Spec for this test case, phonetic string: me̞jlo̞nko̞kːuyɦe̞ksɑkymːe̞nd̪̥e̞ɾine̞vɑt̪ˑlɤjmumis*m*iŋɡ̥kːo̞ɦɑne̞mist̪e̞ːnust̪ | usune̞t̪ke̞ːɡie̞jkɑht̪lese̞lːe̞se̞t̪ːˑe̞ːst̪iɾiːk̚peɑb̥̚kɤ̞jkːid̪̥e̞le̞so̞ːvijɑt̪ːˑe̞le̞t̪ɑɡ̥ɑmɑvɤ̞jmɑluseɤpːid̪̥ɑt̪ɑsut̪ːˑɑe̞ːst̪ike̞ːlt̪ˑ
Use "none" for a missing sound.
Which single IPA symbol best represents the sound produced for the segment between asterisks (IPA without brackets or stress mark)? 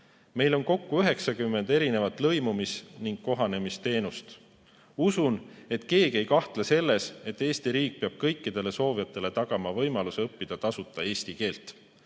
n